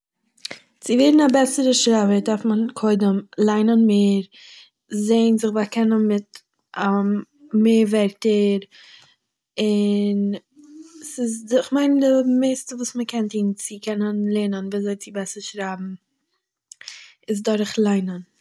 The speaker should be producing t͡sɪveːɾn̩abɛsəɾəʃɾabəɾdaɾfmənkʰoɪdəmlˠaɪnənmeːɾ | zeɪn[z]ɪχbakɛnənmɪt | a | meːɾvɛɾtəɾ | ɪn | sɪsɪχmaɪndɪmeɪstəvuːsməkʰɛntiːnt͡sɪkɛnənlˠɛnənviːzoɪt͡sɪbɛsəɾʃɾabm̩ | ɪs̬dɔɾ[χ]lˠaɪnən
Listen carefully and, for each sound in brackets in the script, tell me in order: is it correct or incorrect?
correct, correct

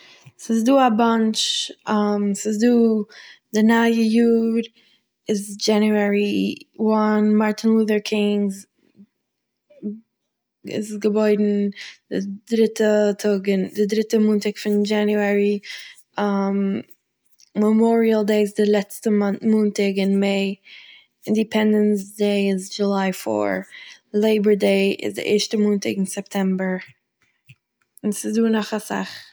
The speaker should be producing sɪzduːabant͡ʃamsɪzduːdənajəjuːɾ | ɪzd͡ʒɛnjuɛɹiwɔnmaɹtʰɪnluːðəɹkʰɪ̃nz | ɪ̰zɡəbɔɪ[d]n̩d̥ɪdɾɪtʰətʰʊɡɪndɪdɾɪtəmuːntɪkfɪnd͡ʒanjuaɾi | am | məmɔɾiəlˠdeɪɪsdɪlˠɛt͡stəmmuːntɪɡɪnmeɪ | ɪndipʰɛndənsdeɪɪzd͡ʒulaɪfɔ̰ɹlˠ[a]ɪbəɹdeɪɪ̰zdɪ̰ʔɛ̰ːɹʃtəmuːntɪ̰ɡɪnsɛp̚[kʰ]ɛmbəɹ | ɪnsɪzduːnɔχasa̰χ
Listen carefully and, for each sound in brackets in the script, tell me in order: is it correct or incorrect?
correct, incorrect: e, incorrect: tʰ

